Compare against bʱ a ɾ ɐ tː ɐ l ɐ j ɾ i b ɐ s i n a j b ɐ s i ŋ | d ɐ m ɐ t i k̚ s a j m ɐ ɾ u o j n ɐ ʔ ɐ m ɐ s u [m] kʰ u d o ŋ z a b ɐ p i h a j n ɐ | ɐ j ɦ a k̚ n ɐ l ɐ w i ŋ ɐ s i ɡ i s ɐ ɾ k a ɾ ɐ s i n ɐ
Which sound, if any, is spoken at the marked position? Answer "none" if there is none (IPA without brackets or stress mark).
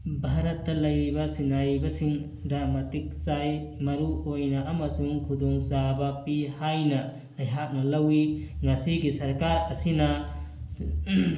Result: ŋ